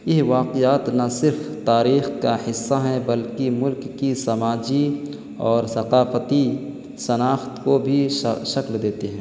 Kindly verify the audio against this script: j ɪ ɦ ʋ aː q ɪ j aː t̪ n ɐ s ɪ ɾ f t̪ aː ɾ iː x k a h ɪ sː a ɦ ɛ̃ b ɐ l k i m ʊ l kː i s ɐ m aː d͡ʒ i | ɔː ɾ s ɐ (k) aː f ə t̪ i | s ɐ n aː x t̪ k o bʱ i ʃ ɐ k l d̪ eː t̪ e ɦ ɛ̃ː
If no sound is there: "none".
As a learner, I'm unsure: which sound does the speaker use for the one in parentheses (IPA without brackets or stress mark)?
q